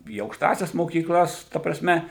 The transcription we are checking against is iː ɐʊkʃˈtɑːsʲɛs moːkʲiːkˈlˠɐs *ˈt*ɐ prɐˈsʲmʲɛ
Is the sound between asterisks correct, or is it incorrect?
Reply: correct